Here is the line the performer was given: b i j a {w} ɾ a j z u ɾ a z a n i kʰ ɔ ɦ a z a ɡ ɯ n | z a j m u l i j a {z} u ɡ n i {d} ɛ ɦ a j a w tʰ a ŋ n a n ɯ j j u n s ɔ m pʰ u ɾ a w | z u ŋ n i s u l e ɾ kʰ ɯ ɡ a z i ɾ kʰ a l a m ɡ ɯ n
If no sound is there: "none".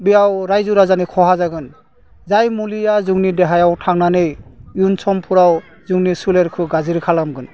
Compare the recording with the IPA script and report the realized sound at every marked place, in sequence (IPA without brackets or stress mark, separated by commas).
w, z, d